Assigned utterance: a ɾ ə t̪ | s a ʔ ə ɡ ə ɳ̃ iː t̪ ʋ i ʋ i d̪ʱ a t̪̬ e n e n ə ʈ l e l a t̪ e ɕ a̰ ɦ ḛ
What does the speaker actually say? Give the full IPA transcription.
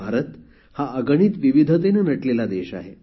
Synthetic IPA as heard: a ɾ ə t̪ | h a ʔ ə ɡ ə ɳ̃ iː t̪ ʋ i ʋ i d̪ʱ ə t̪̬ e n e n ə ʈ l e l a d̪ e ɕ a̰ ɦ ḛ